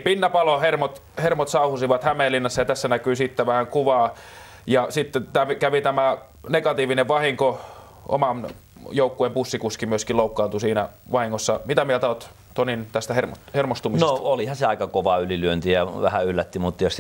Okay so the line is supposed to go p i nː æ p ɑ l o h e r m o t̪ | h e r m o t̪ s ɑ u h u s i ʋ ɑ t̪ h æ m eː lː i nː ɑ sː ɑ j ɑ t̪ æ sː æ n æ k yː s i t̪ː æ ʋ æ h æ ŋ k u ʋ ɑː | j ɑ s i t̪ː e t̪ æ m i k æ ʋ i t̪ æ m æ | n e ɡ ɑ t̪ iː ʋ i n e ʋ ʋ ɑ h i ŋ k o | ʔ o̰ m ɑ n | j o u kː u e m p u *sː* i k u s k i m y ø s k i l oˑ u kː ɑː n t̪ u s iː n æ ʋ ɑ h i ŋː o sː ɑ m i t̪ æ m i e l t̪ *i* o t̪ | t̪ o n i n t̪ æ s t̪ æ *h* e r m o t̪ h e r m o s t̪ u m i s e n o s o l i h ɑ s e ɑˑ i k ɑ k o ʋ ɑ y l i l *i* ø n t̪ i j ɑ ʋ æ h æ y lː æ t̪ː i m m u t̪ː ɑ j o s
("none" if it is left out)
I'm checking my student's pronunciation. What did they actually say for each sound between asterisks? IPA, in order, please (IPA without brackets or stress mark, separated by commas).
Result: sː, æ, h, y